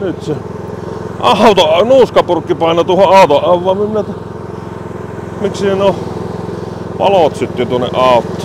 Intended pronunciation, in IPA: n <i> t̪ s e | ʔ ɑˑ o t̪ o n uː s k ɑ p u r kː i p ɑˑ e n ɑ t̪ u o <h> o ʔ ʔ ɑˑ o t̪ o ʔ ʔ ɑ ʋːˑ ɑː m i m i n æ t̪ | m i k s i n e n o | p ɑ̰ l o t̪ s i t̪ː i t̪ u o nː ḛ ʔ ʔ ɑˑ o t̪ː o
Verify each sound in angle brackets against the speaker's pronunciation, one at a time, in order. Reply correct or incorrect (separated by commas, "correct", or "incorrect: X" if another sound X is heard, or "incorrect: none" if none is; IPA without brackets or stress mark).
incorrect: y, correct